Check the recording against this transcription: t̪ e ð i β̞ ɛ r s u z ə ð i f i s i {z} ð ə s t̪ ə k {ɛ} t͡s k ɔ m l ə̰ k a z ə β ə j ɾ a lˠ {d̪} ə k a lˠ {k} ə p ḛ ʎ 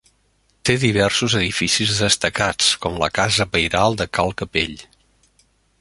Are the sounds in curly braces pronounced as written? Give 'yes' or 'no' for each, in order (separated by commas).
yes, no, yes, yes